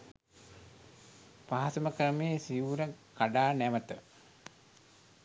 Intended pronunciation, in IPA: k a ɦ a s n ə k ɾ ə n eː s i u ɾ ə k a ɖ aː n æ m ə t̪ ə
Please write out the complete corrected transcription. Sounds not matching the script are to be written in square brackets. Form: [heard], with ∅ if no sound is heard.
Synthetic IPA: [p] a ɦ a s [m] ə k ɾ ə [m] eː s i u ɾ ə k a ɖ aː n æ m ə t̪ ə